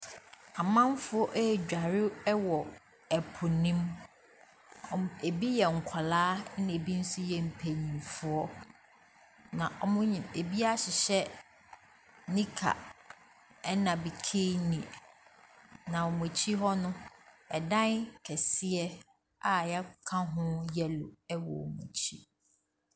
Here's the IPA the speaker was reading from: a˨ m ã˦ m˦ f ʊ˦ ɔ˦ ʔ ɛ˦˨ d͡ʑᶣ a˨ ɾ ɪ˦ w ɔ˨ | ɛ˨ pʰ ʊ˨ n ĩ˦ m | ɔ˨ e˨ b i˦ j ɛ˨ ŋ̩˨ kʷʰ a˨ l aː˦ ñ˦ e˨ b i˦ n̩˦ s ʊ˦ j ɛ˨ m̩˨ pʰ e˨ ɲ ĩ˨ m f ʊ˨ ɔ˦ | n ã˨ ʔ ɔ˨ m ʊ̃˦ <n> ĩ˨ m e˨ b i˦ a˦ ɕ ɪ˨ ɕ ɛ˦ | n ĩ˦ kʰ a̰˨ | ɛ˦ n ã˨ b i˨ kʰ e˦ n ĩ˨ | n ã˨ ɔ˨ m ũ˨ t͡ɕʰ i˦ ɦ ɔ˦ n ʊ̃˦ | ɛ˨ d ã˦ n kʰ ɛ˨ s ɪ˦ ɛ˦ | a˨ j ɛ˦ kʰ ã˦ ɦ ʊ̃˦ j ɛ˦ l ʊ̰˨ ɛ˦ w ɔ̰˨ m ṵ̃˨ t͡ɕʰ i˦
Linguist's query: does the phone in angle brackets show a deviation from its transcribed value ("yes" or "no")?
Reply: yes